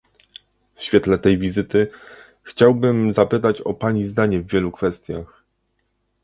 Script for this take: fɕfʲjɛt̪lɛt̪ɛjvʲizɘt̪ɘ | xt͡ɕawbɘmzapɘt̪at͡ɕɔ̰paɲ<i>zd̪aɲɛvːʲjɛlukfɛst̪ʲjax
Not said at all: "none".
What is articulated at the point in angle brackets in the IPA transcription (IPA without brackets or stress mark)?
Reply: i